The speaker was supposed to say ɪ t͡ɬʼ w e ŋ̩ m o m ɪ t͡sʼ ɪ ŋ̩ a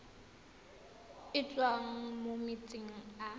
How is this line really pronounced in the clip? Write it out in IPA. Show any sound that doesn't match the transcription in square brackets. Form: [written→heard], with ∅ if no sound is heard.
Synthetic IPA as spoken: ɪ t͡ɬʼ w [e→a] ŋ̩ m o m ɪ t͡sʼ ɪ ŋ̩ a